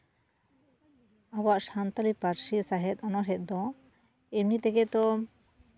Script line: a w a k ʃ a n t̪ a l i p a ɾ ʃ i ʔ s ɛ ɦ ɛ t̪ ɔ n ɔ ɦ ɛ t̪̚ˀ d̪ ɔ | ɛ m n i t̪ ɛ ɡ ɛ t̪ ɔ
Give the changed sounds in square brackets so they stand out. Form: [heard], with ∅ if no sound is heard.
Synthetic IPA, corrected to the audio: a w a [ʔ] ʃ a n t̪ a l i p a ɾ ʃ i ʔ s [a] ɦ ɛ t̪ ɔ n ɔ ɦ ɛ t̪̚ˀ d̪ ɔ | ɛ m n i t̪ ɛ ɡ ɛ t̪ ɔ